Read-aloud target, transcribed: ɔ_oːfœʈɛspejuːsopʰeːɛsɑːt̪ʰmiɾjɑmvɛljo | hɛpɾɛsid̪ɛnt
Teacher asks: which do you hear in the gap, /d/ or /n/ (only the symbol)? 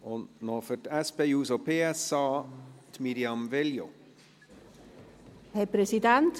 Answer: n